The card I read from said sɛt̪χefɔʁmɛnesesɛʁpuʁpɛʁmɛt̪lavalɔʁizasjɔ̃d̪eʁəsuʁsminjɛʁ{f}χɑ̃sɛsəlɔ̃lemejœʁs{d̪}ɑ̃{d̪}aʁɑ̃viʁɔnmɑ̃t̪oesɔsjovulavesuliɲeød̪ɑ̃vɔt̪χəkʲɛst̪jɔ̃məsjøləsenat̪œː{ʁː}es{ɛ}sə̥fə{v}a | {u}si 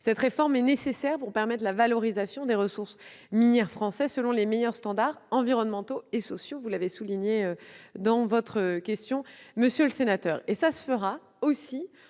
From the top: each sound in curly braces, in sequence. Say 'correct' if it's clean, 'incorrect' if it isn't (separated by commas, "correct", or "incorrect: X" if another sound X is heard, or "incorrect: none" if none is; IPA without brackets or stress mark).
correct, incorrect: t̪, correct, incorrect: ʁ, incorrect: a, incorrect: ʁ, incorrect: o